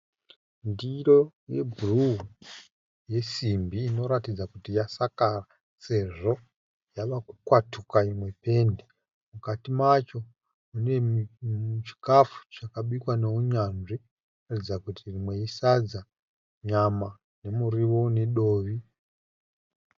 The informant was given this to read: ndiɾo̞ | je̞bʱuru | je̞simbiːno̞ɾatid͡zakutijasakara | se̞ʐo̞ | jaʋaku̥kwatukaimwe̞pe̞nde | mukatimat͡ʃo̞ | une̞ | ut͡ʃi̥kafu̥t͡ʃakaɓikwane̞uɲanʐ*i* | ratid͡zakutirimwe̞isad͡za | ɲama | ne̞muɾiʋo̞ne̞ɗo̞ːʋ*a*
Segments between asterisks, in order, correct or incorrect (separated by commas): correct, incorrect